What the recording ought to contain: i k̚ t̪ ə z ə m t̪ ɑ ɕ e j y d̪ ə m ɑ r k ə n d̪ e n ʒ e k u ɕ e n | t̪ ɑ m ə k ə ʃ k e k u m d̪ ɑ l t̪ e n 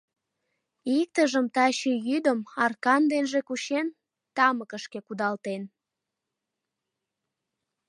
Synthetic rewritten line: i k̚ t̪ ə ʒ ə m t̪ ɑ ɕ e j y d̪ ə m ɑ r k ɑ n d̪ e n ʒ e k u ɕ e n | t̪ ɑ m ə k ə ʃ k e k u d̪ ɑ l t̪ e n

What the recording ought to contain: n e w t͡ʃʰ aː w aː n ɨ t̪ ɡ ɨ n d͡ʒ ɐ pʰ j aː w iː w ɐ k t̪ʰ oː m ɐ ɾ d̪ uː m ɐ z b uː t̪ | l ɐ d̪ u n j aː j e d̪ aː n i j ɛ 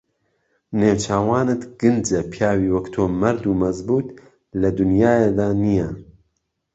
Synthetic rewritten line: n e w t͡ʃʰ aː w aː n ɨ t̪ ɡ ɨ n d͡ʒ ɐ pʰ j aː w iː w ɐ k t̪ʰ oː m ɐ ɾ d̪ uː m ɐ z b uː t̪ | l ɐ d̪ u n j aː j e d̪ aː n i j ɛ

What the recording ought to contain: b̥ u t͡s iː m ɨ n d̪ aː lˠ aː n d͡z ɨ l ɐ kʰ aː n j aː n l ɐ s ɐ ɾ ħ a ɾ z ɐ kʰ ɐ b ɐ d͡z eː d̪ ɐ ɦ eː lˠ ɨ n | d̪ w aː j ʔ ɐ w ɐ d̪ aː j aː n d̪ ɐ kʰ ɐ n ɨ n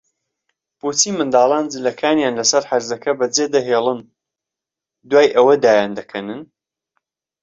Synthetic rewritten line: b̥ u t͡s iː m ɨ n d̪ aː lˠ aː n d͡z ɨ l ɐ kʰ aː n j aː n l ɐ s ɐ ɾ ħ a ɾ z ɐ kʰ ɐ b ɐ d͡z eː d̪ ɐ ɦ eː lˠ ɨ n | d̪ w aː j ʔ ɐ w ɐ d̪ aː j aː n d̪ ɐ kʰ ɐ n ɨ n

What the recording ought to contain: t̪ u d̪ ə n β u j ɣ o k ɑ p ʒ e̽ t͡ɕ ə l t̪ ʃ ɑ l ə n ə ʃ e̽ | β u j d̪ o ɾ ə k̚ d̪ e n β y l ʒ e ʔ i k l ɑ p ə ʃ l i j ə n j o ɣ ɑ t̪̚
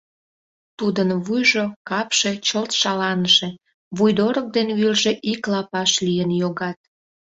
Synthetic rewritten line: t̪ u d̪ ə n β u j ʒ o k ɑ p ʃ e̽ t͡ɕ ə l t̪ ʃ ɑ l ɑ n ə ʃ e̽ | β u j d̪ o ɾ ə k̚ d̪ e n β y l ʒ e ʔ i k l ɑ p ɑ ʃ l i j ə n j o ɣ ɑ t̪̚

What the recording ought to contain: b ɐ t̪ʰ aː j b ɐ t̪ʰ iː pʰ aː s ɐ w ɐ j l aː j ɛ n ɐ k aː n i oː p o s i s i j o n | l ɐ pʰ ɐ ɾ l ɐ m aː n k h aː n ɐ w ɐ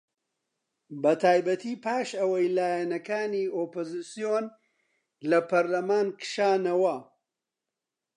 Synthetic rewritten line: b ɐ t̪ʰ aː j b ɐ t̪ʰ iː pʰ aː ʃ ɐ w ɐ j l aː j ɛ n ɐ k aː n i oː p o z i s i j o n | l ɐ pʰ ɐ ɾ l ɐ m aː n k ʃ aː n ɐ w ɐ

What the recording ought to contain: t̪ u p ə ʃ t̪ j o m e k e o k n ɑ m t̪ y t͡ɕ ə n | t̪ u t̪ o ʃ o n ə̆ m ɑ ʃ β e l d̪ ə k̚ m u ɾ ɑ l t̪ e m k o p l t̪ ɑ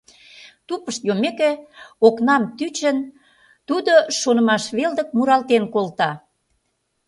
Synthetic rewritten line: t̪ u p ə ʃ t̪ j o m e k e o k n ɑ m t̪ y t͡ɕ ə n | t̪ u d̪ o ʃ o n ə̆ m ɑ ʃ β e l d̪ ə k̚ m u ɾ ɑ l t̪ e n k o l t̪ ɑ

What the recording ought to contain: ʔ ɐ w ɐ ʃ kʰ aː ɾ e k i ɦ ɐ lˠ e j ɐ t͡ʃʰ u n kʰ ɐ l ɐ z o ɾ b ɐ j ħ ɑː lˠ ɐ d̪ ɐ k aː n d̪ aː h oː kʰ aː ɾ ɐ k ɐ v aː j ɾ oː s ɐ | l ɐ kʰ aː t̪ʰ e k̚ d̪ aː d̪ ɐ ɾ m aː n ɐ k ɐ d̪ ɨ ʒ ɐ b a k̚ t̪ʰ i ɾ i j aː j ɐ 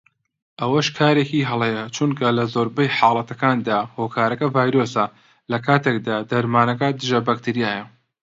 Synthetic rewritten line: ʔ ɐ w ɐ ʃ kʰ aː ɾ e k i ɦ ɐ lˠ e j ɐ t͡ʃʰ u n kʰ ɐ l ɐ z o ɾ b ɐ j ħ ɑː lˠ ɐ t̪ ɐ k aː n d̪ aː h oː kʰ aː ɾ ɐ k ɐ v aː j ɾ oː s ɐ | l ɐ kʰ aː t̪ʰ e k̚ d̪ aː d̪ ɐ ɾ m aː n ɐ k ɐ d̪ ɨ ʒ ɐ b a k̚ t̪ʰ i ɾ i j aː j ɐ

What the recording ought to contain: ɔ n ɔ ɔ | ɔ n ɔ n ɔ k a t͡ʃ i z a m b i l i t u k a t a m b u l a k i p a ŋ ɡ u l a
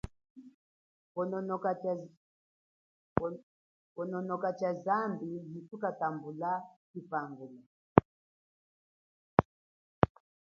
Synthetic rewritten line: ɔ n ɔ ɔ | ɔ n ɔ n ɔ k a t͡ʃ a z a m b i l i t u k a t a m b u l a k i p a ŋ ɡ u l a

